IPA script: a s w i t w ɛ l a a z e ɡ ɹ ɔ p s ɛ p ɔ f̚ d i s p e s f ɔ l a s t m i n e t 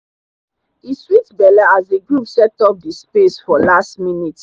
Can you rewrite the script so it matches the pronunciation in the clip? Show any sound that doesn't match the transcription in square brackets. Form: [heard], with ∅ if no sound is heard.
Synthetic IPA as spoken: [i] s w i t [b] ɛ l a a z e ɡ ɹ [u] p s ɛ [t] ɔ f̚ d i s p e s f ɔ l a s t m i n [i] t